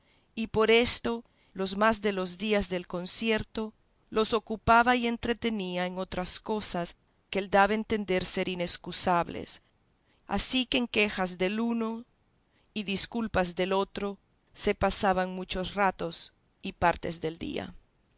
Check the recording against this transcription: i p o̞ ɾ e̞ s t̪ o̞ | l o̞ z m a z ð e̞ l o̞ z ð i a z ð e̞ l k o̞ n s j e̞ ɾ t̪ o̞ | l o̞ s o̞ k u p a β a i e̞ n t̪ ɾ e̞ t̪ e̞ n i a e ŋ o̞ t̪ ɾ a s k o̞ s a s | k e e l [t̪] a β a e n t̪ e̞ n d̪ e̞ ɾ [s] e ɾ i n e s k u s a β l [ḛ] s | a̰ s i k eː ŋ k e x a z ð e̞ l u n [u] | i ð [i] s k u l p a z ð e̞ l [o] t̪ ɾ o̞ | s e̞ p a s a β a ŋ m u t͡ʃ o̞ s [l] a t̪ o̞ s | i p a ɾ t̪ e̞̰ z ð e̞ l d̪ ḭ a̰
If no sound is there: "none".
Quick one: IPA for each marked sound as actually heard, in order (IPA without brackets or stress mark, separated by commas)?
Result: d̪, s, ḛ, o, i, o, r